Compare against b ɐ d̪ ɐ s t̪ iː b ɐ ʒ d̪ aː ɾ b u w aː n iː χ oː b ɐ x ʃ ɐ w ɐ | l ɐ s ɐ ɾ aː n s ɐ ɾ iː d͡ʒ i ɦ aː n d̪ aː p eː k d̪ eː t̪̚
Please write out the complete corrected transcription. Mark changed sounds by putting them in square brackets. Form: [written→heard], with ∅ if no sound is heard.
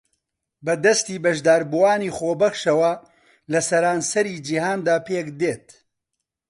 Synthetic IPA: b ɐ d̪ ɐ s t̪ iː b ɐ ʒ d̪ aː ɾ b u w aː n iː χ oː b ɐ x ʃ ɐ w ɐ | l ɐ s ɐ ɾ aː n s ɐ ɾ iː d͡ʒ i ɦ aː n d̪ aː p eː k d̪ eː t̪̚

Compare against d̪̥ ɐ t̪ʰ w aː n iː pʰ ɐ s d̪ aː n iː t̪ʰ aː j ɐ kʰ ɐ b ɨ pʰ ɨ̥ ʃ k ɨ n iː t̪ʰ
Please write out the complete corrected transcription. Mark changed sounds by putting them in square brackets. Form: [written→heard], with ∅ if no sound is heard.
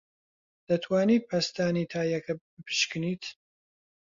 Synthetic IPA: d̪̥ ɐ t̪ʰ w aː n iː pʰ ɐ s [d̪→t̪] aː n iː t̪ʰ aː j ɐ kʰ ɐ b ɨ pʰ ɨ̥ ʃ k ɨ n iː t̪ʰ

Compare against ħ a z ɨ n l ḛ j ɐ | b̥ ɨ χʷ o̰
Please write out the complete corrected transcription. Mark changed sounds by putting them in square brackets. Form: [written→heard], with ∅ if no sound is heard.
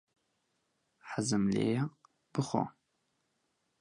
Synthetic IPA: ħ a z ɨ [n→m] l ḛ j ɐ | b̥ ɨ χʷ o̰

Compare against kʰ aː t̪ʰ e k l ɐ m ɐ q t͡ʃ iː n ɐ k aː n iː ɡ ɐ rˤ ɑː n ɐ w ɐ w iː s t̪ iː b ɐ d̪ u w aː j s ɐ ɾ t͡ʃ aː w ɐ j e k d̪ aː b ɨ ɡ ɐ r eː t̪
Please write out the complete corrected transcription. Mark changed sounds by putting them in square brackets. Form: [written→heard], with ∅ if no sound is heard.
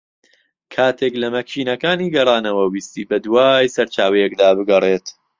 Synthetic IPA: kʰ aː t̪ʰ e k l ɐ m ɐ [q→k] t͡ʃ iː n ɐ k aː n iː ɡ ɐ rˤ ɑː n ɐ w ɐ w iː s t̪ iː b ɐ d̪ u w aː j s ɐ ɾ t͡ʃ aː w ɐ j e k d̪ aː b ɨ ɡ ɐ r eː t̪

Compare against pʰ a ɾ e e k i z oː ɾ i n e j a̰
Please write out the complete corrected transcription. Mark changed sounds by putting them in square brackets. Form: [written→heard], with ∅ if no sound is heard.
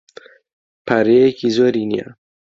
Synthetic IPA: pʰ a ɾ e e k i z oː ɾ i n [e→i] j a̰

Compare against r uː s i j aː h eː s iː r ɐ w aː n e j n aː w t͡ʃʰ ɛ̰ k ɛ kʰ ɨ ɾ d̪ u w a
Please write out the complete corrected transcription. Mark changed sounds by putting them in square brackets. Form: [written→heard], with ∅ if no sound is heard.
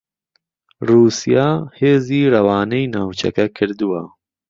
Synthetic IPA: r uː s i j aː h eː [s→z] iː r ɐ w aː n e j n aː w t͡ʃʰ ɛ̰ k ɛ kʰ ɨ ɾ d̪ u w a

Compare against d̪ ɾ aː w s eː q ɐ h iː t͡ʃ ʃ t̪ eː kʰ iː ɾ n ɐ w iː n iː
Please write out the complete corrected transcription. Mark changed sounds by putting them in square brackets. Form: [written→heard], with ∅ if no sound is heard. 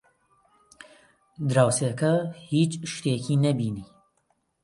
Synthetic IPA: d̪ ɾ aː w s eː [q→k] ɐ h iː t͡ʃ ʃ t̪ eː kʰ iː [ɾ→∅] n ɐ [w→b] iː n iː

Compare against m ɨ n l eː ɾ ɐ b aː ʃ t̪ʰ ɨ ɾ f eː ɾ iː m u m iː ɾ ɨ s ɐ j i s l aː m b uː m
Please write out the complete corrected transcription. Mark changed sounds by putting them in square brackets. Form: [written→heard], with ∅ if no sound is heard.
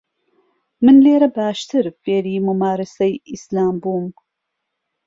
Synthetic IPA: m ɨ n l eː ɾ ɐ b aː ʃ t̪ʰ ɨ ɾ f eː ɾ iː m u m [iː→aː] ɾ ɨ s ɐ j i s l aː m b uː m

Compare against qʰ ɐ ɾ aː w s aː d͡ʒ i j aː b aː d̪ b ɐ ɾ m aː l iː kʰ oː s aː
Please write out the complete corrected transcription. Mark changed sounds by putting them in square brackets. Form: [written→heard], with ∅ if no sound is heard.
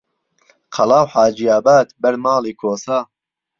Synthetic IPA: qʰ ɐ [ɾ→l] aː w [s→ħ] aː d͡ʒ i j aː b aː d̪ b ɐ ɾ m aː l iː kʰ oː s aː

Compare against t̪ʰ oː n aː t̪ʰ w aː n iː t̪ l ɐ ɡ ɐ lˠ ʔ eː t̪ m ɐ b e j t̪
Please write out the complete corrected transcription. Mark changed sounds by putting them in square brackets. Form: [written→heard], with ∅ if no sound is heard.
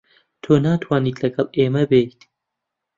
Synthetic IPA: t̪ʰ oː n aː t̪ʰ w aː n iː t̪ l ɐ ɡ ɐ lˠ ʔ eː [t̪→∅] m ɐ b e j t̪

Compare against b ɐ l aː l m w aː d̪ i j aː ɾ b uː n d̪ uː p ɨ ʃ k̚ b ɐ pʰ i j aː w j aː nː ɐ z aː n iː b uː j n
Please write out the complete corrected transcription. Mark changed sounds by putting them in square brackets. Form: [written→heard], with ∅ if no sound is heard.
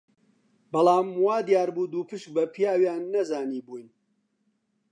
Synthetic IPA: b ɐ l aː [l→∅] m w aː d̪ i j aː ɾ b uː [n→∅] d̪ uː p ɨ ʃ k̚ b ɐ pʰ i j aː w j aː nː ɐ z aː n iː b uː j n

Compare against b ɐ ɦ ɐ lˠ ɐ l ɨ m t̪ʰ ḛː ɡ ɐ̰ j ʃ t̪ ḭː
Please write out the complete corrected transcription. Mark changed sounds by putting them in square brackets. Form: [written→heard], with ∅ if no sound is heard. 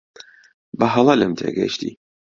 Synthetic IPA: b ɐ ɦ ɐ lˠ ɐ l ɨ m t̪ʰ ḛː ɡ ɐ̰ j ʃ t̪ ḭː

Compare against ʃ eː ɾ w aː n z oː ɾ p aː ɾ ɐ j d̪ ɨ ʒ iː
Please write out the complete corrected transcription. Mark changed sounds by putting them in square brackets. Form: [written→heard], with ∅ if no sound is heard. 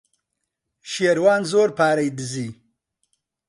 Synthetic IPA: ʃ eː ɾ w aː n z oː ɾ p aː ɾ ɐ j d̪ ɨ [ʒ→z] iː

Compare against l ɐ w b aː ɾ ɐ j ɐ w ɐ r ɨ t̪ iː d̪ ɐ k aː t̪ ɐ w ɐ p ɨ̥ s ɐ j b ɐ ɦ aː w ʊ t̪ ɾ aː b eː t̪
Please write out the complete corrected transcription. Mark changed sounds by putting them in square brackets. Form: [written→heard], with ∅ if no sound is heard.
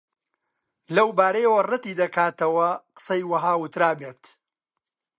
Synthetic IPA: l ɐ w b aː ɾ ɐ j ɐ w ɐ r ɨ t̪ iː d̪ ɐ k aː t̪ ɐ w ɐ [p→q] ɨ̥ s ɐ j [b→w] ɐ ɦ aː w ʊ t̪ ɾ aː b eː t̪

